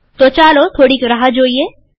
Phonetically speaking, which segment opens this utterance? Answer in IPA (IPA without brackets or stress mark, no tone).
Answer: t̪